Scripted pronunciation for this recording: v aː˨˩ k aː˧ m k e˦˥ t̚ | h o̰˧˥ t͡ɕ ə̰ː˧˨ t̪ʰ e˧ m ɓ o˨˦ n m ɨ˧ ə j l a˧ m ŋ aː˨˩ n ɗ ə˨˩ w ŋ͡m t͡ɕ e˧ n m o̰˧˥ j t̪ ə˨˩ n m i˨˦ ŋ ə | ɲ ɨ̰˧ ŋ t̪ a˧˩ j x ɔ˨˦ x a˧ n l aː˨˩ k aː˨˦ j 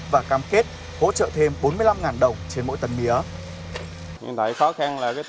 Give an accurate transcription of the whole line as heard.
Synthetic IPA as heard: v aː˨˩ k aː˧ m k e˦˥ t̚ | h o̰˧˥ t͡ɕ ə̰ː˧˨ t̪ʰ e˧ m ɓ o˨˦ n m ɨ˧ ə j l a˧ m ŋ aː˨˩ n ɗ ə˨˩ w ŋ͡m t͡ɕ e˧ n m o̰˧˥ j t̪ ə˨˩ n m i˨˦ ə | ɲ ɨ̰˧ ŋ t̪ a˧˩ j x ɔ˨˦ x a˧ n l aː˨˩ k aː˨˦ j